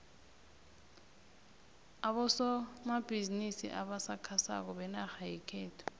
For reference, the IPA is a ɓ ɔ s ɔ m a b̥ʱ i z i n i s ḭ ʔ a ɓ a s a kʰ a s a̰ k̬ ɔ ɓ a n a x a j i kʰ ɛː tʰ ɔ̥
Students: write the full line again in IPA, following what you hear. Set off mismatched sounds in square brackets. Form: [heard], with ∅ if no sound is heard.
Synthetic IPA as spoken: a ɓ ɔ s ɔ m a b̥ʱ i z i n i s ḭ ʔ a ɓ a s a kʰ a s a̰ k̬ ɔ ɓ [ɛ] n a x a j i kʰ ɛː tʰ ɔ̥